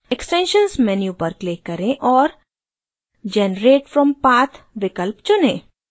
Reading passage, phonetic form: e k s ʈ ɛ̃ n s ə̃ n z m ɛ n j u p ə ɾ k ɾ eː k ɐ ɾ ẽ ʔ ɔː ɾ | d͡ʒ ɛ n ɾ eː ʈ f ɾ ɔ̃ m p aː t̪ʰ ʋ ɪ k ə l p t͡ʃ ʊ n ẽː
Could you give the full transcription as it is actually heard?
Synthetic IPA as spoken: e k s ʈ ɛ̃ n ʃ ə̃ n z m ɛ n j u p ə ɾ k l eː k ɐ ɾ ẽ ʔ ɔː ɾ | d͡ʒ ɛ n ɾ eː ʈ f ɾ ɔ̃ m p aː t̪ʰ ʋ ɪ k ə l p t͡ʃ ʊ n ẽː